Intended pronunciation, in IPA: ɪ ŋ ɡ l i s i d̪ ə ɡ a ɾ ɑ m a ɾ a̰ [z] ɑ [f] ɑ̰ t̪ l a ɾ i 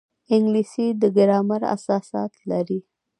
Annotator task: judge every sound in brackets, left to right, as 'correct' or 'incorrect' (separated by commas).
incorrect, incorrect